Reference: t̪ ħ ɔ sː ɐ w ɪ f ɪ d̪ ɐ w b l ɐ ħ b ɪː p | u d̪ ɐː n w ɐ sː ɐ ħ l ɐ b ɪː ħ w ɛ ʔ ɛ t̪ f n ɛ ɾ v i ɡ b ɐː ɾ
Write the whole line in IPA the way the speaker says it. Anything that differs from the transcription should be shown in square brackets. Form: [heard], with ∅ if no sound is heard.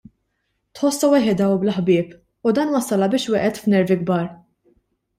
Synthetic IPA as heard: t̪ ħ ɔ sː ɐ w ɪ [ħ] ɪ d̪ ɐ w b l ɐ ħ b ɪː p | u d̪ ɐː n w ɐ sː ɐ [∅] l ɐ b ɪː [ʃ] w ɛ ʔ ɛ t̪ f n ɛ ɾ v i ɡ b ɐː ɾ

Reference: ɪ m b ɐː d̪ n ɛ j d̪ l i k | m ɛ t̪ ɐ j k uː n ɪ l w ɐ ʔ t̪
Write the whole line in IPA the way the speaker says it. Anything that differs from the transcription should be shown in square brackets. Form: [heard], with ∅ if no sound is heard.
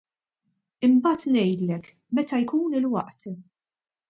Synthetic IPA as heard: ɪ m b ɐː [t̪] n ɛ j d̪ l [ɛ] k | m ɛ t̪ ɐ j k uː n ɪ l w ɐ ʔ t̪

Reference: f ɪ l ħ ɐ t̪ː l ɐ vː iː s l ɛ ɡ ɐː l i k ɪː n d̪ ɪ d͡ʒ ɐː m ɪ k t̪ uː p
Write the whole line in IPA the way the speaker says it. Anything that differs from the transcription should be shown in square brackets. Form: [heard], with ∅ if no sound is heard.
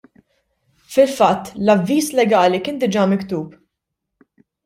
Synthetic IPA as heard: f ɪ l [f] ɐ t̪ː l ɐ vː iː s l ɛ ɡ ɐː l i k ɪː n d̪ ɪ d͡ʒ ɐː m ɪ k t̪ uː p

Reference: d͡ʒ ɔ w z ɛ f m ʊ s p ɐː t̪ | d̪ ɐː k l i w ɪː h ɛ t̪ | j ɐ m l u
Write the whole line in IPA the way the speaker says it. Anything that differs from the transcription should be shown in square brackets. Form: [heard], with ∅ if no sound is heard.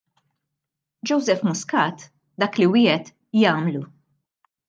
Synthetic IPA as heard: d͡ʒ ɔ w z ɛ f m ʊ s [k] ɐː t̪ | d̪ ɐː k l i w ɪː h ɛ t̪ | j [ɐː] m l u

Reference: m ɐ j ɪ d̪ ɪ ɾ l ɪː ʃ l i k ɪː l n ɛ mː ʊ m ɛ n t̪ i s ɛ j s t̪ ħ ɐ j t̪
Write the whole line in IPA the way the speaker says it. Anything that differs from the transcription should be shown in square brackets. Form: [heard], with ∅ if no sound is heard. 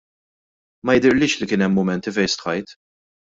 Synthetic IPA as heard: m ɐ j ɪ d̪ ɪ ɾ l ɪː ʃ l i k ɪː [∅] n ɛ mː ʊ m ɛ n t̪ i [f] ɛ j s t̪ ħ ɐ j t̪

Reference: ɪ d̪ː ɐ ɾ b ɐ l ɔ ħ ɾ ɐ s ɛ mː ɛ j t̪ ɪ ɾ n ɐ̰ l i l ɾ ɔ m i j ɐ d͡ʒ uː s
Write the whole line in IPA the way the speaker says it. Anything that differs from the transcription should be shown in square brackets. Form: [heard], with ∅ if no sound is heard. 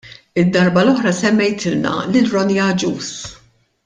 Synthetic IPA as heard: ɪ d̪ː ɐ ɾ b ɐ l ɔ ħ ɾ ɐ s ɛ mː ɛ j t̪ ɪ [l] n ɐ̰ l [ɪ] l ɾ ɔ [n] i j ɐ d͡ʒ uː s

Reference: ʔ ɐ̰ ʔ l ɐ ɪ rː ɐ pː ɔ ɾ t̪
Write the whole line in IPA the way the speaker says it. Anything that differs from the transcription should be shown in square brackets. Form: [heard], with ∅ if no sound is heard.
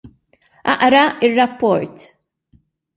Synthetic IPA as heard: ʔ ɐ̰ ʔ [ɾ] ɐ ɪ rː ɐ pː ɔ ɾ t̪

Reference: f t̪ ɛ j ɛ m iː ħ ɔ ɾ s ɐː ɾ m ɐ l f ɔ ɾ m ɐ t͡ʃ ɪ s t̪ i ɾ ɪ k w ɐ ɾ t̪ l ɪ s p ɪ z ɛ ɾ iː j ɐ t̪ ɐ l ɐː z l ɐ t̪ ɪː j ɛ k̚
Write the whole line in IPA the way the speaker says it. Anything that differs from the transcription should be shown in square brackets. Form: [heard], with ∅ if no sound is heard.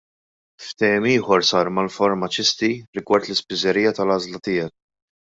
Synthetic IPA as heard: f t̪ ɛ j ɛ m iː ħ ɔ ɾ s ɐː ɾ m ɐ l f ɔ ɾ m ɐ t͡ʃ ɪ s t̪ i ɾ ɪ [ɡ] w ɐ ɾ t̪ l ɪ s p ɪ z ɛ ɾ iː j ɐ t̪ ɐ l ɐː z l ɐ t̪ ɪː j ɛ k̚

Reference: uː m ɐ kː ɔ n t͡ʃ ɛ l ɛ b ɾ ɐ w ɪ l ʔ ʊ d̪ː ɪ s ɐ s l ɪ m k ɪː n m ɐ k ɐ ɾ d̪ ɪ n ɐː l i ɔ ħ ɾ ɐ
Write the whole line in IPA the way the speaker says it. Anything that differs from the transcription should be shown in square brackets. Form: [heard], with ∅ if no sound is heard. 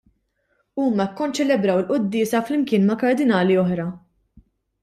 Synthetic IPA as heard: uː m ɐ kː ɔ n t͡ʃ ɛ l ɛ b ɾ ɐ w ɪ l ʔ ʊ d̪ː [ɪː] s ɐ [f] l ɪ m k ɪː n m ɐ k ɐ ɾ d̪ ɪ n ɐː l i ɔ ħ ɾ ɐ

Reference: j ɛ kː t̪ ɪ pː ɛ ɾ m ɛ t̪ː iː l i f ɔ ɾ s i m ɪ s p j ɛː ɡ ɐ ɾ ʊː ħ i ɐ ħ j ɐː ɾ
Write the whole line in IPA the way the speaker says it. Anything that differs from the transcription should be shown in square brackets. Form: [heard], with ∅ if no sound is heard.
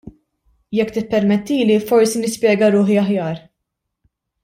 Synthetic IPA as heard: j ɛ kː t̪ ɪ pː ɛ ɾ m ɛ t̪ː iː l i f ɔ ɾ s i [n] ɪ s p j ɛː ɡ ɐ ɾ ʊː ħ i ɐ ħ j ɐː ɾ

